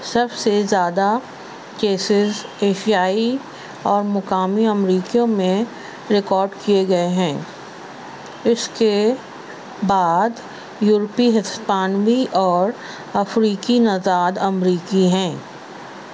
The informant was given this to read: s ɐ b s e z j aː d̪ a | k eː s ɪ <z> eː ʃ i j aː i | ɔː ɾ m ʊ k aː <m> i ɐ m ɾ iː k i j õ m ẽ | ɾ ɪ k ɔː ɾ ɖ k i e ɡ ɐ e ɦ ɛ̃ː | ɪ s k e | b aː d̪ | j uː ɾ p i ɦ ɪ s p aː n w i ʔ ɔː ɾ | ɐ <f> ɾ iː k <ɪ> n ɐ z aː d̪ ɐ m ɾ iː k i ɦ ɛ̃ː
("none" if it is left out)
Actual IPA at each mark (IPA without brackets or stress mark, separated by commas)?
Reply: z, m, f, i